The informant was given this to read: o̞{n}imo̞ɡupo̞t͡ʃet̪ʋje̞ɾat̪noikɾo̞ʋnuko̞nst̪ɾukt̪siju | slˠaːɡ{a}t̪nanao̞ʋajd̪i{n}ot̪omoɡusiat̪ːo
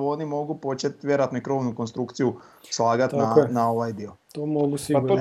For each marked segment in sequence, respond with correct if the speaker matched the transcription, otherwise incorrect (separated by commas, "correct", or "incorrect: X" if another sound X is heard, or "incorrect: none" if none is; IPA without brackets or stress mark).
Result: correct, correct, incorrect: none